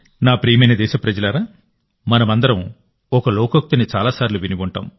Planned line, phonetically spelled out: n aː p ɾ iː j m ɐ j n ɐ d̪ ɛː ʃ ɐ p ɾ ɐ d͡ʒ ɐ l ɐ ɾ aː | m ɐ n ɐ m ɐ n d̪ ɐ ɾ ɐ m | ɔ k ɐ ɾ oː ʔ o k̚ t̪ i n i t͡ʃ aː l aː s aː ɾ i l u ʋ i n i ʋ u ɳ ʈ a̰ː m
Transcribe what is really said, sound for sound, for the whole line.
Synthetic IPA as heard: n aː p ɾ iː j m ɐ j n ɐ d̪ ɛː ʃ ɐ p ɾ ɐ d͡ʒ ɐ l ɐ ɾ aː | m ɐ n ɐ m ɐ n d̪ ɐ ɾ ɐ m | ɔ k ɐ l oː k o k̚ t̪ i n i t͡ʃ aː l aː s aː ɾ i l u ʋ i n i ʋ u ɳ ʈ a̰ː m